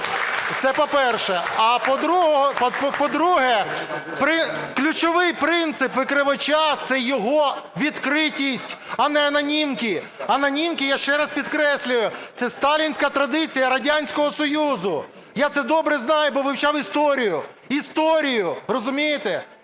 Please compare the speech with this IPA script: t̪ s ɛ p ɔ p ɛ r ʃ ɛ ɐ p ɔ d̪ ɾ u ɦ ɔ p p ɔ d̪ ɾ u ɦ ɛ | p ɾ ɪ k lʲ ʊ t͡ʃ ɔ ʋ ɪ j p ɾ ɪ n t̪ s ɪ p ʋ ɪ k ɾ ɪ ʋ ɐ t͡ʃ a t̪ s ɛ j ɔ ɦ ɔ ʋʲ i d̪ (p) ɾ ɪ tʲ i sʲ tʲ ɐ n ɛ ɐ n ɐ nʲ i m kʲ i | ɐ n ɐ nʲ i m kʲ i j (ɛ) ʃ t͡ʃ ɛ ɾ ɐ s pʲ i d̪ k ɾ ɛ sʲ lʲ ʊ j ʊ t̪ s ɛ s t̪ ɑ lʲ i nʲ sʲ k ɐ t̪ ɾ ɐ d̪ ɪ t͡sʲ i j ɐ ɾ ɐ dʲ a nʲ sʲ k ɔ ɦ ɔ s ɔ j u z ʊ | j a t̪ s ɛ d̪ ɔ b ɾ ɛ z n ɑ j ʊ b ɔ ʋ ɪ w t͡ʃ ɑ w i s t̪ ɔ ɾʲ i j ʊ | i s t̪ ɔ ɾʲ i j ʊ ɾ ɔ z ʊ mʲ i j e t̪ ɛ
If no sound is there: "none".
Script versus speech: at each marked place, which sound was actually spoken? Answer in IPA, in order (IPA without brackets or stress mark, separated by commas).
k, a